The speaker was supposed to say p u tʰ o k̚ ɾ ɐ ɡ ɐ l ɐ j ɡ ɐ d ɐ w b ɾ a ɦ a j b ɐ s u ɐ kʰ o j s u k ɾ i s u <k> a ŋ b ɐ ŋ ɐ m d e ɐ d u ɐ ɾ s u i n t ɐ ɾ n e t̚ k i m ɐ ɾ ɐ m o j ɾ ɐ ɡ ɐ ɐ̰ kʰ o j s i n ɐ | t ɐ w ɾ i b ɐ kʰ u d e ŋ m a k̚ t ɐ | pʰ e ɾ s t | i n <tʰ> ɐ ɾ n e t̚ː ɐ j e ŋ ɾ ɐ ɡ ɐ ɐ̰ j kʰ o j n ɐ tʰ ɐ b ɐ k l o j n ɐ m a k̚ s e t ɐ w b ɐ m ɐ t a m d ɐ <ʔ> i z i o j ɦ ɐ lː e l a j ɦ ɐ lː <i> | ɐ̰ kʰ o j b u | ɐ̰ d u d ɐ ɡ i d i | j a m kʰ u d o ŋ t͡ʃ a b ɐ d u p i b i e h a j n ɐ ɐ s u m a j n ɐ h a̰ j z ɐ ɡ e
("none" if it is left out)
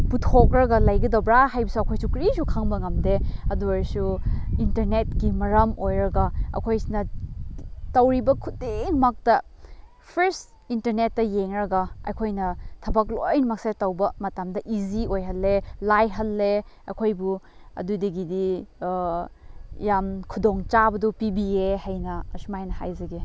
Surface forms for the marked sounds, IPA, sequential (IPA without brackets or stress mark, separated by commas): kʰ, t, ʔ, e